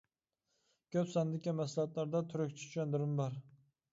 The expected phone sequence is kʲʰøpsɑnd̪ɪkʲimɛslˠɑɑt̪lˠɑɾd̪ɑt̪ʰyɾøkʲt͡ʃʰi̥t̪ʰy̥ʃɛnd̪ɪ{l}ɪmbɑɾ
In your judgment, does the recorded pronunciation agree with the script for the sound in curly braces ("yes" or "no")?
no